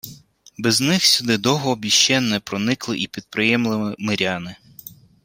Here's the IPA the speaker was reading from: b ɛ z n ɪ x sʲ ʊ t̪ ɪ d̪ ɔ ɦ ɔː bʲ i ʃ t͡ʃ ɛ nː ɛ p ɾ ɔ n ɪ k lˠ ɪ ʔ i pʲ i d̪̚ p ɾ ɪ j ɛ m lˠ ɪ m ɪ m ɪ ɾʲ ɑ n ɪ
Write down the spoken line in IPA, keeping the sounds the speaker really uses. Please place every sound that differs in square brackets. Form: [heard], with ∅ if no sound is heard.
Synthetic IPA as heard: b ɛ z n ɪ x sʲ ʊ [d̪] ɪ d̪ ɔ ɦ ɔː bʲ i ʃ t͡ʃ ɛ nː ɛ p ɾ ɔ n ɪ k lˠ ɪ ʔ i pʲ i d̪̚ p ɾ ɪ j ɛ m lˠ ɪ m ɪ m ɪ ɾʲ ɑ n ɪ